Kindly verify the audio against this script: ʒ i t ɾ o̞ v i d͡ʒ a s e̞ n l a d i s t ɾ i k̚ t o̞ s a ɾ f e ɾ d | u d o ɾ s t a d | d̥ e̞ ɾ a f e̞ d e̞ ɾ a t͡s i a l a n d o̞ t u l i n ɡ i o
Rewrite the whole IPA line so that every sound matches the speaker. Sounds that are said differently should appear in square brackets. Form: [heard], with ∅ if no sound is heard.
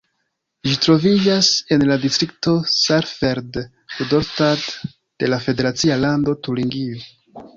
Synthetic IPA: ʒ i t ɾ o̞ v i d͡ʒ a s e̞ n l a d i s t ɾ i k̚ t o̞ s a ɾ f e ɾ d | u d o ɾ s t a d | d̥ e̞ [l] a f e̞ d e̞ ɾ a t͡s i a l a n d o̞ t u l i [ŋ] ɡ i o